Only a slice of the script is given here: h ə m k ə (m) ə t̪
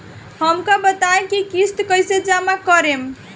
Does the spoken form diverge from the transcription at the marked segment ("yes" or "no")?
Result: yes